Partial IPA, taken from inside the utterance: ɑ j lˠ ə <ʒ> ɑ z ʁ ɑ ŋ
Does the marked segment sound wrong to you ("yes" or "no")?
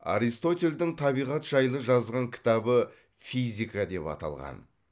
no